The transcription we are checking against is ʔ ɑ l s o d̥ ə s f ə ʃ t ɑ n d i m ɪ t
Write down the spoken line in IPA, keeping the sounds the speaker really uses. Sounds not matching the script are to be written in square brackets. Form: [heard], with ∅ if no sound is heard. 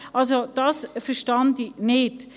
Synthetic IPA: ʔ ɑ l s o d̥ [ɑ] s f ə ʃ t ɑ n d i [n] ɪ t